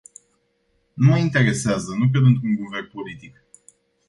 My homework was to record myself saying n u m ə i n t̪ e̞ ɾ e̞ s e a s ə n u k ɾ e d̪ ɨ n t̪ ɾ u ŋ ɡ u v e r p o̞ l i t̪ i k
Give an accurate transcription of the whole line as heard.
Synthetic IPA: n u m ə i n t̪ e̞ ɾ e̞ s e a z ə n u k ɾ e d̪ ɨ n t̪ ɾ u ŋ ɡ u v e r p o̞ l i t̪ i k